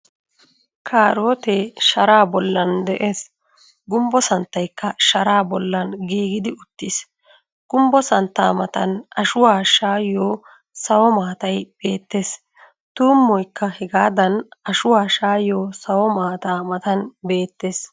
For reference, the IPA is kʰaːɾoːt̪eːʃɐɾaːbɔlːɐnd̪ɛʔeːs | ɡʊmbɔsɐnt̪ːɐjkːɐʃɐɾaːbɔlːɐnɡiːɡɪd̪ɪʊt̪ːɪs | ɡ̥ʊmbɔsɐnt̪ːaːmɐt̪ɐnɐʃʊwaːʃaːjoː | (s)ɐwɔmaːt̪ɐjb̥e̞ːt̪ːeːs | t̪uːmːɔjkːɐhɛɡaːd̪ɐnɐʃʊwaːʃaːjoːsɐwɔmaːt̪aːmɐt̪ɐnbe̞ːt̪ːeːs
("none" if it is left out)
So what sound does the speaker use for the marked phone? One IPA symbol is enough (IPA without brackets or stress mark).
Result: s